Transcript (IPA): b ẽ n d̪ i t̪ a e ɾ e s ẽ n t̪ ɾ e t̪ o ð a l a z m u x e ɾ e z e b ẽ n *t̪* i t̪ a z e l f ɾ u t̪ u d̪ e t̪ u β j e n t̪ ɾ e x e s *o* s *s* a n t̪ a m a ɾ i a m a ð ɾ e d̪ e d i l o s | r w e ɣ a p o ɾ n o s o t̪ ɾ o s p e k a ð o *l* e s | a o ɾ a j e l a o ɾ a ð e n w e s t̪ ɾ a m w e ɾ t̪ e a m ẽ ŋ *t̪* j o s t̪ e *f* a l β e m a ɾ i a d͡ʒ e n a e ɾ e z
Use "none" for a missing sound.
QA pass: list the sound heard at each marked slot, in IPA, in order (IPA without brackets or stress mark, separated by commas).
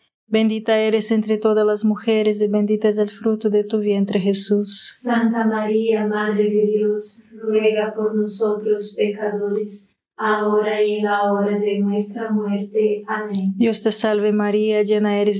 d̪, u, s, ɾ, d̪, s